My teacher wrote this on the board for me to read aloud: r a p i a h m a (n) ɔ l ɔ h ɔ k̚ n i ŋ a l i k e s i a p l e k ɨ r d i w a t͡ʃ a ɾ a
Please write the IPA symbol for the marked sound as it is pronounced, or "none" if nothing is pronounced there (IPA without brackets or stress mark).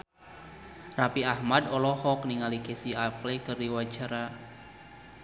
d